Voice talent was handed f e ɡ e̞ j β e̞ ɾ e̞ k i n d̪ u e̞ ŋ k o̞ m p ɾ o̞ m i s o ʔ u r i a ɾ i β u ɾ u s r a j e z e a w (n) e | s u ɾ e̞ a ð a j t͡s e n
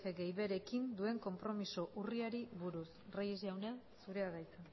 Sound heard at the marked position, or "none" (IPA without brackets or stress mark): n